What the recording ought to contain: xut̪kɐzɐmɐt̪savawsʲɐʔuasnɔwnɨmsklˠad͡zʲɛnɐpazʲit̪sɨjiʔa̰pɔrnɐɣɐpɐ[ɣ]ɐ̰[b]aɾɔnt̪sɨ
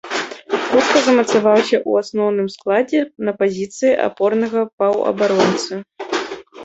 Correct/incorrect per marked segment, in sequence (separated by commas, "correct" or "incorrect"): incorrect, correct